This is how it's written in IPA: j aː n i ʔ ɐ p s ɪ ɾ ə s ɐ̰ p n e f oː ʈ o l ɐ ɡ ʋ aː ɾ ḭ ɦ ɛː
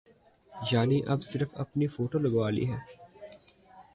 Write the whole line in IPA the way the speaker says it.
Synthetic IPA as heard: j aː n i ʔ ɐ b s ɪ ɾ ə f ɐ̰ p n i f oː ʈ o l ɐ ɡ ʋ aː l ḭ ɦ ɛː

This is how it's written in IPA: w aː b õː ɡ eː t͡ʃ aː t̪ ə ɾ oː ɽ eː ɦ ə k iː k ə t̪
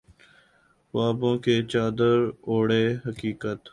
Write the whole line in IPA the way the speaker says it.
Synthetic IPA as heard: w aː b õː k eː t͡ʃ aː d̪ ə ɾ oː ɽ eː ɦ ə k iː k ə t̪

